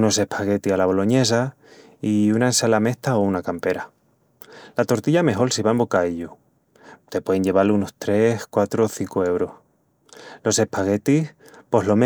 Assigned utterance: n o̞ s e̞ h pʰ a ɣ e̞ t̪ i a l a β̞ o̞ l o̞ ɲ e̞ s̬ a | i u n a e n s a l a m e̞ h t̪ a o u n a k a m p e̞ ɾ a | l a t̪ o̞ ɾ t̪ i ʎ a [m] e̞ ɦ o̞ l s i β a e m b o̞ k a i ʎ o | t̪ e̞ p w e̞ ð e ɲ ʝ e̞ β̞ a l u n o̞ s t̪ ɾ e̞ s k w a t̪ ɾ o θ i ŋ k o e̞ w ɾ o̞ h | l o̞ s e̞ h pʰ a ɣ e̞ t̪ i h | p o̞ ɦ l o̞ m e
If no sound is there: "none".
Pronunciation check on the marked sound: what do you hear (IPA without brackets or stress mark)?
m